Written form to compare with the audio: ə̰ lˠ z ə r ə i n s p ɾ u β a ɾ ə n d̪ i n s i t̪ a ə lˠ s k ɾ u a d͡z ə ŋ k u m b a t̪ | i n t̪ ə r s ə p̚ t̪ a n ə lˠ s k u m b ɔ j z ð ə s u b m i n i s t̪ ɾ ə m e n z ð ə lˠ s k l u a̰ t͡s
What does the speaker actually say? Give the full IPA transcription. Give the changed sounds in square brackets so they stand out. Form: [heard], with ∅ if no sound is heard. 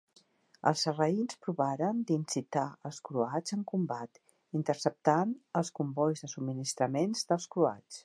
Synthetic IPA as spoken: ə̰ lˠ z ə r ə i n s p ɾ u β a ɾ ə n d̪ i n s i t̪ a ə lˠ s k ɾ u a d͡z ə ŋ k u m b a t̪ | i n t̪ ə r s ə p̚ t̪ a n ə lˠ s k u m b ɔ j z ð ə s u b m i n i s t̪ ɾ ə m e n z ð ə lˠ s k [ɾ] u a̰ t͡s